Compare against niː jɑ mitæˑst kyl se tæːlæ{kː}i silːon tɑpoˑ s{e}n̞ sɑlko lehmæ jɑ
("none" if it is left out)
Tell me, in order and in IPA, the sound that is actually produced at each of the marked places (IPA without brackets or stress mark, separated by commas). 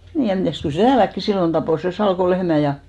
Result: kː, e